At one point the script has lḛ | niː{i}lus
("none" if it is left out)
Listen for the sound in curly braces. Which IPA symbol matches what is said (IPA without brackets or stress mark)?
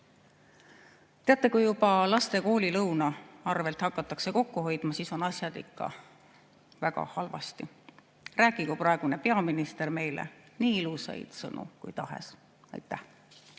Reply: i